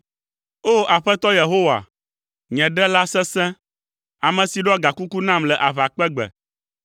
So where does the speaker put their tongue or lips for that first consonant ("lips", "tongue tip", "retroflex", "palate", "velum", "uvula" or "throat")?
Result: lips